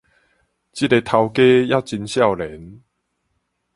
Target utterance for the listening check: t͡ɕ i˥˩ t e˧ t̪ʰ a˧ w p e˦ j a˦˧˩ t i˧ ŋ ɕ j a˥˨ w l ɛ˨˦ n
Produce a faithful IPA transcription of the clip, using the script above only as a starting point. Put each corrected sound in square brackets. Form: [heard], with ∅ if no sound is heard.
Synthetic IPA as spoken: t͡ɕ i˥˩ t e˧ t̪ʰ a˧ w [k] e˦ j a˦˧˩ [t͡ɕ] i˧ [n] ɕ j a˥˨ w l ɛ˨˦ n